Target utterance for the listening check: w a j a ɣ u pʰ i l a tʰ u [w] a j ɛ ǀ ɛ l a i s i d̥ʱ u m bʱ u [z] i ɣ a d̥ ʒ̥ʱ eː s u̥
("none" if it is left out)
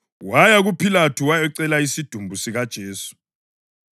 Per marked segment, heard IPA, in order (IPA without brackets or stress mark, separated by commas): w, s